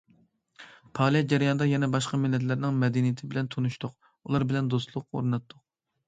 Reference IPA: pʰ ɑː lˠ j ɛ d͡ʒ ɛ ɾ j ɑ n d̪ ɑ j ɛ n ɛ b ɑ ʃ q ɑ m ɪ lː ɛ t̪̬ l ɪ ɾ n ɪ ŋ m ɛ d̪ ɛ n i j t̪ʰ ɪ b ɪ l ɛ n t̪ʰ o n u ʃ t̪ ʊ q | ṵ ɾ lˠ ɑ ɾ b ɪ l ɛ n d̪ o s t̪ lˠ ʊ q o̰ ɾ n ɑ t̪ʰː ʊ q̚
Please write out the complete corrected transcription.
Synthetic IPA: pʰ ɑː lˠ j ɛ d͡ʒ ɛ ɾ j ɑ n d̪ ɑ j ɛ n ɛ b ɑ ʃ q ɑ m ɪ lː ɛ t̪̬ l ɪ ɾ n ɪ ŋ m ɛ d̪ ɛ n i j t̪ʰ ɪ b ɪ l ɛ n t̪ʰ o n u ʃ t̪ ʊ q | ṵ lˠ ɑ ɾ b ɪ l ɛ n d̪ o s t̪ lˠ ʊ q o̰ ɾ n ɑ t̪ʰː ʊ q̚